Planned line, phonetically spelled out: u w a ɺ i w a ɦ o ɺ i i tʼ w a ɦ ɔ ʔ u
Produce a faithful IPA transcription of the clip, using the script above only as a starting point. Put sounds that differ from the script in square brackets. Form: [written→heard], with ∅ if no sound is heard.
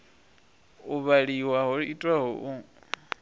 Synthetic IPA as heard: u [w→β] a ɺ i w a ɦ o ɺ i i tʼ w a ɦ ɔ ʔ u

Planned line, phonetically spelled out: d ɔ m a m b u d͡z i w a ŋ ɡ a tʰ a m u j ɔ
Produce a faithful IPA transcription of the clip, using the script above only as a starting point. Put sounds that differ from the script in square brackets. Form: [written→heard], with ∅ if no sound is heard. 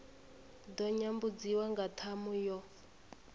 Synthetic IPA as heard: d ɔ [m→ɲ] a m b u d͡z i w a ŋ ɡ a tʰ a m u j ɔ

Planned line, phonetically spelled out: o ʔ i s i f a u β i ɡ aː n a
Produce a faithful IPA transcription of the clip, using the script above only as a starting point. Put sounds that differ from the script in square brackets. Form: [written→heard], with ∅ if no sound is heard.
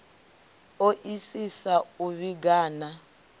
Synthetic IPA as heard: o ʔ i s i [f→s] a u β i ɡ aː n a

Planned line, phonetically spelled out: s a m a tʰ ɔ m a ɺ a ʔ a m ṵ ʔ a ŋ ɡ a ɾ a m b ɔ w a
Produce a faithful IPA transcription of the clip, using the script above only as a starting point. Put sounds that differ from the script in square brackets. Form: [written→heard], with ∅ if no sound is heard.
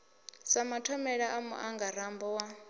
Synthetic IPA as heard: s a m a tʰ ɔ m [a→ɛ] ɺ a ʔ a m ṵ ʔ a ŋ ɡ a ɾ a m b ɔ w a

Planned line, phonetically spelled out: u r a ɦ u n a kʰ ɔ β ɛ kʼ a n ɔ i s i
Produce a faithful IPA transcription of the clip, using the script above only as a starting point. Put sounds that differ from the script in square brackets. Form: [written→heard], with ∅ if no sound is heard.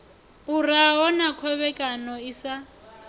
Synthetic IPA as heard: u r a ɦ [u→ɔ] n a kʰ ɔ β ɛ kʼ a n ɔ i s [i→a]

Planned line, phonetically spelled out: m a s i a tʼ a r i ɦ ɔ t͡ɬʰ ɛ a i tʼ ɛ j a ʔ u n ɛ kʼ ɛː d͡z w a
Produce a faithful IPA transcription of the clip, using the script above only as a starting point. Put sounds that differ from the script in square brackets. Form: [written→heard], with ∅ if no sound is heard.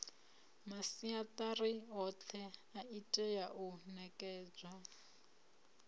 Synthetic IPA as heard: m a s i a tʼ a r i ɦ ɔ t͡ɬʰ ɛ a i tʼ ɛ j a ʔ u n ɛ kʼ ɛː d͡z w a

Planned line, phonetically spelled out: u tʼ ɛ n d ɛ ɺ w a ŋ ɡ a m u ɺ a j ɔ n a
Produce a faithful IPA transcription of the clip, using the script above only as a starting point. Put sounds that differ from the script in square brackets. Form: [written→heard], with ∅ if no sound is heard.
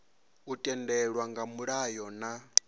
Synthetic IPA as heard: u tʼ ɛ n d ɛ ɺ w a ŋ ɡ a m u ɺ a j ɔ n a

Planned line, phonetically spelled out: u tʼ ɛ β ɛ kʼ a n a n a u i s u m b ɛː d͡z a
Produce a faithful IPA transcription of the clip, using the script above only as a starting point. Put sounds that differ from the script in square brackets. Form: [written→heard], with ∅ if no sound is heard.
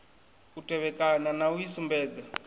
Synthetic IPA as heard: u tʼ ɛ β ɛ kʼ a n a n a u i s u m b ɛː d͡z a

